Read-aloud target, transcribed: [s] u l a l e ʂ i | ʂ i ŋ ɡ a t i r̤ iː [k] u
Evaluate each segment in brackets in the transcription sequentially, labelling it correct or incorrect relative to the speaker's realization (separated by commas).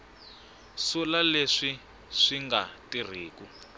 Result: correct, correct